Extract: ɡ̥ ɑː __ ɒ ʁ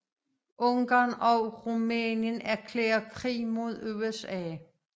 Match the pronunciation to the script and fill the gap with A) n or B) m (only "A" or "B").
A